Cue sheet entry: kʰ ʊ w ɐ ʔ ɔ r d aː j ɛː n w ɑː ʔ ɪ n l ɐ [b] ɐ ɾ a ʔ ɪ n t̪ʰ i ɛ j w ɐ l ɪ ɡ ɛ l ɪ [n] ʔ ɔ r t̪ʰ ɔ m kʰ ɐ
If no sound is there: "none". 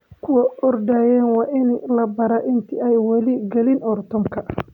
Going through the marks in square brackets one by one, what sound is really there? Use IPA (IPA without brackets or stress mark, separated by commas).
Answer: b, n